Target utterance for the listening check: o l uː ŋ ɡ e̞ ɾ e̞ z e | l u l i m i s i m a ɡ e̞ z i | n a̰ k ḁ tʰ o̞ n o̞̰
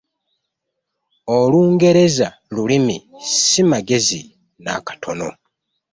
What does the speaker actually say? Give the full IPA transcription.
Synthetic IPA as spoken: o l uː ŋ ɡ e̞ ɾ e̞ z a | l u l i m i s i m a ɡ e̞ z i | n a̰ k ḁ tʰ o̞ n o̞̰